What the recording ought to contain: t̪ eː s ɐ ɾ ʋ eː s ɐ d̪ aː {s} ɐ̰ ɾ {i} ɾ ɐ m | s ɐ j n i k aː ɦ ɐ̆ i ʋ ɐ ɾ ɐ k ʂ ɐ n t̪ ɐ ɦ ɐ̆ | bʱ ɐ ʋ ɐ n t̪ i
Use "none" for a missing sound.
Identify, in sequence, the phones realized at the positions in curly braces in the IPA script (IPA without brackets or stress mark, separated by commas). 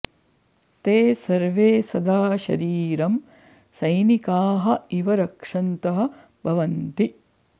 ʃ, iː